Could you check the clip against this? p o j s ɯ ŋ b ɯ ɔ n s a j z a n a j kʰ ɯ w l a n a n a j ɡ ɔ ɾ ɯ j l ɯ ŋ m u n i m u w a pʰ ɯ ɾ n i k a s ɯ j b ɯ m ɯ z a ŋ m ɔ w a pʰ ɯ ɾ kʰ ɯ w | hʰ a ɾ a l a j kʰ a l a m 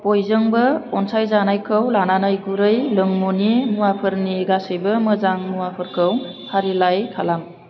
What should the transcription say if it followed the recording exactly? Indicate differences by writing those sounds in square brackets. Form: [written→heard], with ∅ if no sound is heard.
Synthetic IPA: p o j [s→z] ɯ ŋ b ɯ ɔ n s a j z a n a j kʰ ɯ w l a n a n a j ɡ [ɔ→u] ɾ ɯ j l ɯ ŋ m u n i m u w a pʰ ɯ ɾ n i [k→ɡ] a s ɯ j b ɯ m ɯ z a ŋ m [ɔ→u] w a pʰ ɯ ɾ kʰ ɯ w | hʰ a ɾ [a→i] l a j kʰ a l a m